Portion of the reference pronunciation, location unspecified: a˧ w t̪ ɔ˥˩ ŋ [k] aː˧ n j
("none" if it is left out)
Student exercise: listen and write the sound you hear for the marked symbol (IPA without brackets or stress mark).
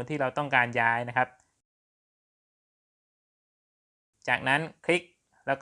k